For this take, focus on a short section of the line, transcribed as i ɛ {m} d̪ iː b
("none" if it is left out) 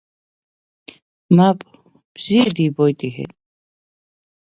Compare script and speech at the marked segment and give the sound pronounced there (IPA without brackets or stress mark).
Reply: none